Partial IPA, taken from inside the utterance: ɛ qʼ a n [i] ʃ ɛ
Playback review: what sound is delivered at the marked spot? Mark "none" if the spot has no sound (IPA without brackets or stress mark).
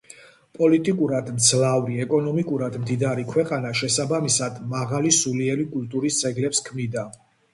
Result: a